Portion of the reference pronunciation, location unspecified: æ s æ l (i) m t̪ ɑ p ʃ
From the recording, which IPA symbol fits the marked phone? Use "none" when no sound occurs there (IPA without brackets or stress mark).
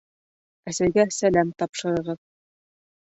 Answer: æ